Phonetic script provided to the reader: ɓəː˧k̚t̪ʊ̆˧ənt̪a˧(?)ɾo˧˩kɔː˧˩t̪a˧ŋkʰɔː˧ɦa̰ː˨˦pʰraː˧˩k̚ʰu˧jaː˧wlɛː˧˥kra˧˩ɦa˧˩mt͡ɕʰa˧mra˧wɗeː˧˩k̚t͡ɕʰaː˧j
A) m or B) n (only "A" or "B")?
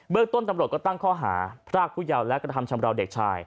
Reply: A